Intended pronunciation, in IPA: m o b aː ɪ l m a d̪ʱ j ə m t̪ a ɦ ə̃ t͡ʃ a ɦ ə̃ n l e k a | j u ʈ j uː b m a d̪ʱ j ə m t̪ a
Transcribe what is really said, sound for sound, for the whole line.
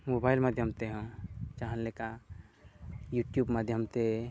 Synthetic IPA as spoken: m o b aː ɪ l m a d̪ʱ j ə m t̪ e ɦ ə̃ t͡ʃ a ɦ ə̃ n l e k a | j u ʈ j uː b m a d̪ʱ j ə m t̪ e

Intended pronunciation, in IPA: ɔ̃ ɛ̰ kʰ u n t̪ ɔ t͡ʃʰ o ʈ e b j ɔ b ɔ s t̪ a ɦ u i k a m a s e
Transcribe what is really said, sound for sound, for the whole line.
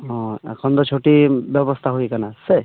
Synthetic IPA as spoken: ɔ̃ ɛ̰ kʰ ɔ n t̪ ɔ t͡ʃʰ o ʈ i b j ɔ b ɔ s t̪ʰ a ɦ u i k a n a s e

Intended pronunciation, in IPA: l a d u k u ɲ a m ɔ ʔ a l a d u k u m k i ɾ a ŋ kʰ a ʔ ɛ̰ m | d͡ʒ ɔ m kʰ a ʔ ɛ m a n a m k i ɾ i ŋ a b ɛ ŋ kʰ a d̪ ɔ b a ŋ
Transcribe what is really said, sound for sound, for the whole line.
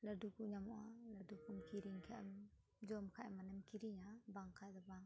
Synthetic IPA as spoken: l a d u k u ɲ a m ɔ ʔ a l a d u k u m k i ɾ i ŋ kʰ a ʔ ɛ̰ m | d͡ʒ ɔ m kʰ a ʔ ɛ m a n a m k i ɾ i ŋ a b a ŋ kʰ a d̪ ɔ b a ŋ

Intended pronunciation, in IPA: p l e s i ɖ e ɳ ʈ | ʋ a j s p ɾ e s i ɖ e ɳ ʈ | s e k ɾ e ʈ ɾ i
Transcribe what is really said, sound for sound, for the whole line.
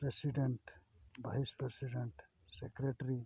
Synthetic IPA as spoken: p ɾ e s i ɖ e ɳ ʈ | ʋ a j s p ɾ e s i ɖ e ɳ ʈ | s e k ɾ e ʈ ɾ i

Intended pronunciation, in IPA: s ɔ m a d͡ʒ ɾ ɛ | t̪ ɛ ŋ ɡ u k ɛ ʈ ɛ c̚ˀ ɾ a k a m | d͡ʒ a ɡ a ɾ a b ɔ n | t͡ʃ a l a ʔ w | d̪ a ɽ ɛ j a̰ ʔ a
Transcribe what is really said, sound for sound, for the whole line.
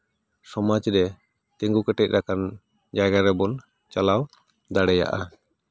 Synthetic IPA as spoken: s ɔ m a d͡ʒ ɾ ɛ | t̪ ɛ ŋ ɡ u k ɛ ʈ ɛ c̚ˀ ɾ a k a n | d͡ʒ a ɡ a ɾ ɛ b ɔ n | t͡ʃ a l a w | d̪ a ɽ ɛ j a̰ ʔ a

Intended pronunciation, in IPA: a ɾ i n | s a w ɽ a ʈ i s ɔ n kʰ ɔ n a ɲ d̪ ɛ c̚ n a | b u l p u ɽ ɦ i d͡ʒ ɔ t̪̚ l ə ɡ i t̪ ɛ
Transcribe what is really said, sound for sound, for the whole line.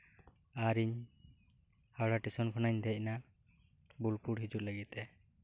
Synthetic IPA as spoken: a ɾ i ɲ | h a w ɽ a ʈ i s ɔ n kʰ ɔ n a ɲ d̪ ɛ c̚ n a | b u l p u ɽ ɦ i d͡ʒ u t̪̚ l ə ɡ i t̪ ɛ

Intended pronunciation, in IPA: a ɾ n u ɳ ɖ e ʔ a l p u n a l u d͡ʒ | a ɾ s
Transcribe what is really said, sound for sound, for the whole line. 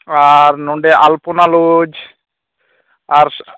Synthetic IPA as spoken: a ɾ n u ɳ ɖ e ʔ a l p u n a l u d͡ʒ | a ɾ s

